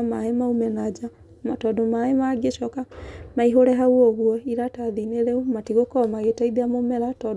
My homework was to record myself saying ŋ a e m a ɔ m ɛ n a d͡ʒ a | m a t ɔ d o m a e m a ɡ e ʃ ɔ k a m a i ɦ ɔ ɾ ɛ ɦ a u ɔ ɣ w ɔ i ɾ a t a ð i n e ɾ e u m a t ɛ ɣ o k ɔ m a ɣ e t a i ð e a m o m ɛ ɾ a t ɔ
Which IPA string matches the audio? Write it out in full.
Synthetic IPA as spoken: m a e m a u m ɛ n a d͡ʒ a | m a t ɔ d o m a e m a ɡ e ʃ ɔ k a m a i ɦ o ɾ ɛ ɦ a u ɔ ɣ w ɔ i ɾ a t a ð i n e ɾ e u m a t i ɣ o k ɔ m a ɣ e t a i ð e a m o m ɛ ɾ a t ɔ